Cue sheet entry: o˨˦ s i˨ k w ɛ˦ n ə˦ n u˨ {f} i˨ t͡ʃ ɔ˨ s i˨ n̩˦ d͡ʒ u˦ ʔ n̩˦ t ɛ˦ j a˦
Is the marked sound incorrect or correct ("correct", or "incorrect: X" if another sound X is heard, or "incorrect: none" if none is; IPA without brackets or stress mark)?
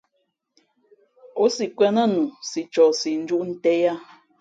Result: incorrect: s